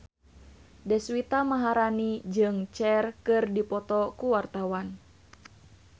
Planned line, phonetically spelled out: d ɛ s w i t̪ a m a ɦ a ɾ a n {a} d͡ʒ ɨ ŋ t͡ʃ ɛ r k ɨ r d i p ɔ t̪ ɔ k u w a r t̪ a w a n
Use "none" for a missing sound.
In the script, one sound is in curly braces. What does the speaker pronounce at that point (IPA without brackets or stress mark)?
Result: i